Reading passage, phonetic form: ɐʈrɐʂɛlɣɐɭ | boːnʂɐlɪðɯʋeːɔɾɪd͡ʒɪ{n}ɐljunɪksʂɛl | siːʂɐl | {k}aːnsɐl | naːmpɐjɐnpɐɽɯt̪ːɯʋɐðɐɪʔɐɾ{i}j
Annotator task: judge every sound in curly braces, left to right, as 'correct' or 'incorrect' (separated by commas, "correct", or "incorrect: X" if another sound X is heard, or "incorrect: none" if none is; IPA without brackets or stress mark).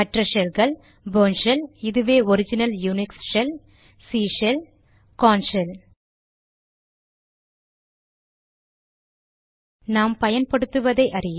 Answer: correct, correct, incorrect: ɪ